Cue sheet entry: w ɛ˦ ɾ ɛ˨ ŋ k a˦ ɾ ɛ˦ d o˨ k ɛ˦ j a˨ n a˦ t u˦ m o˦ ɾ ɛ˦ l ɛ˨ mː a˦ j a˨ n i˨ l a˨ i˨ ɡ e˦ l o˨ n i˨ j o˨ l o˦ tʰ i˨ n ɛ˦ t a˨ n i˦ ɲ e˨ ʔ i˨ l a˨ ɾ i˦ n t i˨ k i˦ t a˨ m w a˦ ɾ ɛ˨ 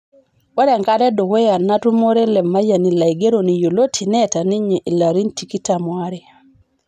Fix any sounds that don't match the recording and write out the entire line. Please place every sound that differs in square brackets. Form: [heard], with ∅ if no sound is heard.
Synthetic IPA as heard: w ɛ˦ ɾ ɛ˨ ŋ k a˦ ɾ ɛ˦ d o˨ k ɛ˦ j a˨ n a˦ t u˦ m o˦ ɾ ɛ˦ l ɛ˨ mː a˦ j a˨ n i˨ l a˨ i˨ ɡ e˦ [ɾ] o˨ n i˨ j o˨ l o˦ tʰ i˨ n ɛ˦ t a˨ n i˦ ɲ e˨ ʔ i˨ l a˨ ɾ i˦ n t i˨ k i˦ t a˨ m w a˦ ɾ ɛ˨